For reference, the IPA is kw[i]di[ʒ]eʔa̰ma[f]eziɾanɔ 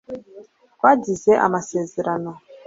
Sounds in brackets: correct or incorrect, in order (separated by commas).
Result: incorrect, incorrect, incorrect